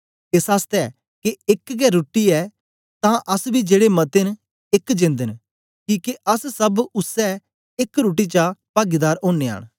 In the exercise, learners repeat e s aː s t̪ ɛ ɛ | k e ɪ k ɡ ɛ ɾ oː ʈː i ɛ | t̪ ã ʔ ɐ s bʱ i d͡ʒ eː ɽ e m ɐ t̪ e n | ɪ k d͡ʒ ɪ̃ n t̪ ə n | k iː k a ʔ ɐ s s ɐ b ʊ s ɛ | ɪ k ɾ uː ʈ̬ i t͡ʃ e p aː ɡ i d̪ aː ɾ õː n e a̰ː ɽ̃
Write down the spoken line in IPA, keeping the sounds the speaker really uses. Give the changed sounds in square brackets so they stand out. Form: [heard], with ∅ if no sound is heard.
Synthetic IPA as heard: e s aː s t̪ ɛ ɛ | k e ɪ k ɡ ɛ ɾ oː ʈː i ɛ | t̪ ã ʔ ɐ s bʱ i d͡ʒ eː ɽ e m ɐ t̪ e n | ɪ k d͡ʒ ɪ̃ n [d̪] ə n | k iː k [e] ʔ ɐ s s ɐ b ʊ s ɛ | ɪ k ɾ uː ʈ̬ i t͡ʃ [a] p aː ɡ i d̪ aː ɾ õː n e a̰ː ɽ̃